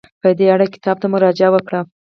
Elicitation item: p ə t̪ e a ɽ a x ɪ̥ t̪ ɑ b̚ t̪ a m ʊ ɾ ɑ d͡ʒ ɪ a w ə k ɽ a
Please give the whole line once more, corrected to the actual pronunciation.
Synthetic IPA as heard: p ə d̪ e a ɽ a k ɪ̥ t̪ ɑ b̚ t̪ a m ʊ ɾ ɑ d͡ʒ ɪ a w ə k ɽ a